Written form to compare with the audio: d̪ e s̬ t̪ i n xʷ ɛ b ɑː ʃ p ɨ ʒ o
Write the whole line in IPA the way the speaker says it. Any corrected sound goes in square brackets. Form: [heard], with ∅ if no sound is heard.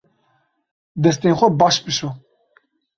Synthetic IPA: d̪ [ɛ] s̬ t̪ [e] n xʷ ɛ b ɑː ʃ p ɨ [ʃ] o